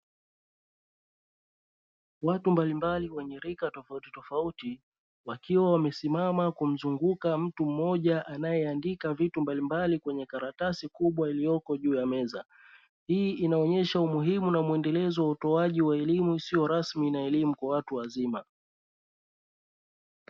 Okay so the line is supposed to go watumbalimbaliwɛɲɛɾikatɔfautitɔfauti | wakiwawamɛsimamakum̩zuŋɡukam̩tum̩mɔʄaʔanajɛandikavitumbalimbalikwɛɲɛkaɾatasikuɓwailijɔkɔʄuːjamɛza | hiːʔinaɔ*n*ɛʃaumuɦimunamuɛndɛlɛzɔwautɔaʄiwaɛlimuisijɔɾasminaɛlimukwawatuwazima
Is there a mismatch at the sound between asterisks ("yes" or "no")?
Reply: yes